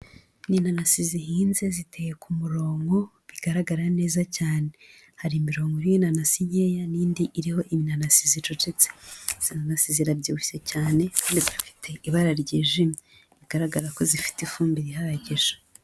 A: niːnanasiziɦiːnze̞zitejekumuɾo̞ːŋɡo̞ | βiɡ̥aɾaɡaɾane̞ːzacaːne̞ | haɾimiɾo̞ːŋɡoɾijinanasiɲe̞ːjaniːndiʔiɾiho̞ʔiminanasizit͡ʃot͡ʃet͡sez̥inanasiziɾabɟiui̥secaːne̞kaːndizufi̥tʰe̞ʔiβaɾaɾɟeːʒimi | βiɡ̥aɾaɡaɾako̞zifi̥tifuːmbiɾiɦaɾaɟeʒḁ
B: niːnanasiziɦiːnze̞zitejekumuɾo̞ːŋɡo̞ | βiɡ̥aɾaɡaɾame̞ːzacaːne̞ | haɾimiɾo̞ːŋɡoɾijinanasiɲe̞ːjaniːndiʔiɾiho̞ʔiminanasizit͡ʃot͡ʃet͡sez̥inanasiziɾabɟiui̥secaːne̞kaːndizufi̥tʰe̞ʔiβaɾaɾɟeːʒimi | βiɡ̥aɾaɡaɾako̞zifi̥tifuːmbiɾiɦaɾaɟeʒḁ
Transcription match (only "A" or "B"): A